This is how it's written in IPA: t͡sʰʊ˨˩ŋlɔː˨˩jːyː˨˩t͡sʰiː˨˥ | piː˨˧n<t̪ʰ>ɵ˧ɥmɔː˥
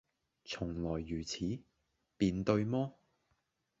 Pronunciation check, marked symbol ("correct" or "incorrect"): incorrect